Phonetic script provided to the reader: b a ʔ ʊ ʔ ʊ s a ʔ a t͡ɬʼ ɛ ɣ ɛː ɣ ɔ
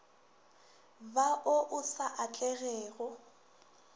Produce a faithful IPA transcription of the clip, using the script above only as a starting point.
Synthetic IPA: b a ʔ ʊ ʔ ʊ s a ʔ a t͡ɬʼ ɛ ɣ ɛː ɣ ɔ